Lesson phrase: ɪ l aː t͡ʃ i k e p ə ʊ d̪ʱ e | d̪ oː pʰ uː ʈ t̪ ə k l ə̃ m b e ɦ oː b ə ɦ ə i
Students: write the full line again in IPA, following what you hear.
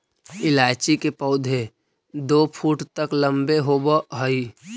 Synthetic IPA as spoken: ɪ l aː t͡ʃ i k e p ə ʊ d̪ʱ e | d̪ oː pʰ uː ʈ t̪ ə k l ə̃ m b e ɦ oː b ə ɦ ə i